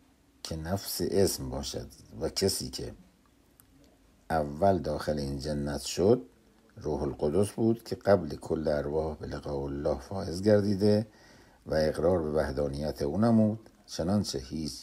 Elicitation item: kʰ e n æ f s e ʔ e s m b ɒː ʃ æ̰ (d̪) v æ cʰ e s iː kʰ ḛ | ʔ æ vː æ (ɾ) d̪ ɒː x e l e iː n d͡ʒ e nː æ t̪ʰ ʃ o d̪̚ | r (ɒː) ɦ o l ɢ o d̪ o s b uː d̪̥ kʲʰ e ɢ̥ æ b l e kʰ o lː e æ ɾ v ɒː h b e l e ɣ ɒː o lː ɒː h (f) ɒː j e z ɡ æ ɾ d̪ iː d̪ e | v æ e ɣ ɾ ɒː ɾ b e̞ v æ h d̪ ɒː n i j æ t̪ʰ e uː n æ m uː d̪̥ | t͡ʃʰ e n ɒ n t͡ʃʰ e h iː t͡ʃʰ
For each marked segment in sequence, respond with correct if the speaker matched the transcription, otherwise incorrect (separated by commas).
correct, incorrect, incorrect, correct